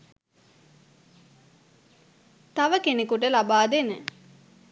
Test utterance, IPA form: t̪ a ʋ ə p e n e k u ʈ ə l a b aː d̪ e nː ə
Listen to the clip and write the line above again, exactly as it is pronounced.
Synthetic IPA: t̪ a ʋ ə k e n e k u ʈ ə l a b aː d̪ e n ə

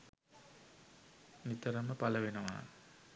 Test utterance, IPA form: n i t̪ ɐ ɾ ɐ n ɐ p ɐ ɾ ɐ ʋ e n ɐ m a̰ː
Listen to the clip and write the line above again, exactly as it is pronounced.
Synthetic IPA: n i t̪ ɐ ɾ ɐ m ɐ p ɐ l ɐ ʋ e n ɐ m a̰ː

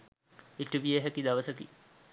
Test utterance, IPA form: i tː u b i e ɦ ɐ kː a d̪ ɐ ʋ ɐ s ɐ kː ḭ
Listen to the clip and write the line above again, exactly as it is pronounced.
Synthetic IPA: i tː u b i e ɦ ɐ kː i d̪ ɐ ʋ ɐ s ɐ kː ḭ

